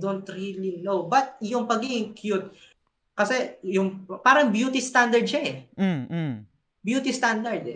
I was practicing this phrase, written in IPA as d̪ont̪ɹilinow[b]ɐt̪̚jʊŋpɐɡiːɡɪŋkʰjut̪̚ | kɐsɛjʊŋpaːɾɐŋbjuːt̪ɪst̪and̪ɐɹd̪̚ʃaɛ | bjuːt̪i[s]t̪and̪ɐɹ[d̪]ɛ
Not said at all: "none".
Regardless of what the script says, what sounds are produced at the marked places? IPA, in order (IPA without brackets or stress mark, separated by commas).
b, s, d̪